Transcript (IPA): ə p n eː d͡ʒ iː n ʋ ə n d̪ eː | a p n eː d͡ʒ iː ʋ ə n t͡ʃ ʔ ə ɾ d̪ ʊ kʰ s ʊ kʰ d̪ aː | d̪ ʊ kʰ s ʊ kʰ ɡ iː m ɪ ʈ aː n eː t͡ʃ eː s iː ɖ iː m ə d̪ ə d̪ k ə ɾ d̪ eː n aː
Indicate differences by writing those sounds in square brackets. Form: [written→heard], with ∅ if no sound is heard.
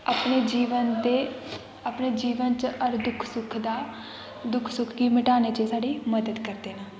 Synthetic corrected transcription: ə p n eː d͡ʒ iː [n→∅] ʋ ə n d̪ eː | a p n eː d͡ʒ iː ʋ ə n t͡ʃ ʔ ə ɾ d̪ ʊ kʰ s ʊ kʰ d̪ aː | d̪ ʊ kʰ s ʊ kʰ ɡ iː m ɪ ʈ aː n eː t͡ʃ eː s [iː→aː] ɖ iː m ə d̪ ə d̪ k ə ɾ d̪ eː n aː